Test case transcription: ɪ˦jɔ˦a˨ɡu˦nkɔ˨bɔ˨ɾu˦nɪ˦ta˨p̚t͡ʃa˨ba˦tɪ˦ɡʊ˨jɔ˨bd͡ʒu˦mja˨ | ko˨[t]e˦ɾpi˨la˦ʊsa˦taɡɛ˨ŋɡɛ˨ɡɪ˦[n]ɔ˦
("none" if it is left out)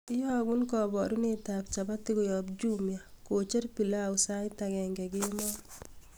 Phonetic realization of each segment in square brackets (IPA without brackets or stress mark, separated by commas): t͡ʃ, m